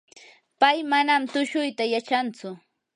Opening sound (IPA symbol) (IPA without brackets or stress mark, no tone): p